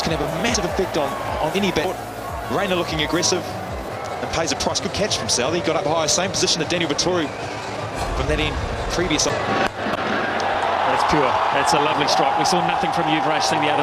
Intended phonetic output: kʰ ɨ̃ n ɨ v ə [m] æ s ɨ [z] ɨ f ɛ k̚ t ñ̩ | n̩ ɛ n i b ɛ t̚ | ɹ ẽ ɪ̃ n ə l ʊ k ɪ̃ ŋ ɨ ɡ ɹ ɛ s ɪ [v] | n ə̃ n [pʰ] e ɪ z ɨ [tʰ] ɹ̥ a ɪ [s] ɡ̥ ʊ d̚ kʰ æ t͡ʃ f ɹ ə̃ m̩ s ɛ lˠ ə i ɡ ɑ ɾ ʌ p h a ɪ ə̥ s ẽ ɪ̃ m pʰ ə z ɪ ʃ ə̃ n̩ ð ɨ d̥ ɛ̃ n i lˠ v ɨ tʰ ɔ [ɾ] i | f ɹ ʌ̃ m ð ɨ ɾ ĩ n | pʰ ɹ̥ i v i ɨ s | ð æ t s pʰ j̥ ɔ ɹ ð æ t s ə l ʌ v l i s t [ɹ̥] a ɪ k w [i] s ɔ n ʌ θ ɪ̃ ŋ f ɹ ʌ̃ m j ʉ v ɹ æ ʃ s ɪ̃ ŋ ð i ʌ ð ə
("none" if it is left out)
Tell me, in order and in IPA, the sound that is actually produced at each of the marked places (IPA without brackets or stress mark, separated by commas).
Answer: m, v, v, pʰ, pʰ, s, ɹ, ɹ̥, i